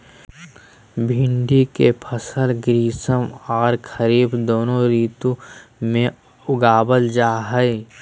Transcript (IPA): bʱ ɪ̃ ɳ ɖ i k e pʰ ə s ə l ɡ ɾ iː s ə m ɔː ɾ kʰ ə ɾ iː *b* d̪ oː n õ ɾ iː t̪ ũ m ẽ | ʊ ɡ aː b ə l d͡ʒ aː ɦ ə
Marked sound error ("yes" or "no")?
no